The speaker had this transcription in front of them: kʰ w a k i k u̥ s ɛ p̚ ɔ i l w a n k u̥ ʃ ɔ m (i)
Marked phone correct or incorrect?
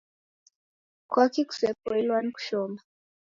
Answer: incorrect